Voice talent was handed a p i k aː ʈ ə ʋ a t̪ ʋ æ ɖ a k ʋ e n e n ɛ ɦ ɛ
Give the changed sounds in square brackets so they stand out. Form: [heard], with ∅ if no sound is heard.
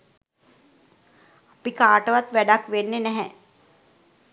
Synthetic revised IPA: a p i k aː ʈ ə ʋ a t̪ ʋ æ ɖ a k ʋ e [nː] e n ɛ ɦ ɛ